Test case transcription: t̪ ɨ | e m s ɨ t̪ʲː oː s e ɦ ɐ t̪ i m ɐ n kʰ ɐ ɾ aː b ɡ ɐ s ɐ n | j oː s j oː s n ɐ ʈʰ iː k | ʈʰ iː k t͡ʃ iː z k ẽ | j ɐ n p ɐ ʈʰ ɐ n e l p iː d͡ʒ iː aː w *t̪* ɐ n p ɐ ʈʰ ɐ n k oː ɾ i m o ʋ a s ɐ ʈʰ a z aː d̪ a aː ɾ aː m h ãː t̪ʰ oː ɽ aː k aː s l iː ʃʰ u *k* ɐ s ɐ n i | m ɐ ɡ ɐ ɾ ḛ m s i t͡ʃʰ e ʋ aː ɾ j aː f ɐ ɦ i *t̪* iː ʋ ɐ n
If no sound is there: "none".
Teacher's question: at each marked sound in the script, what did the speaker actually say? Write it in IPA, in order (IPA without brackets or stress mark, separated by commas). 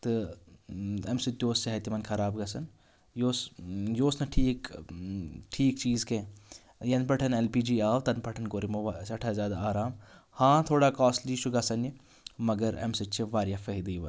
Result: t̪, ɡ, d̪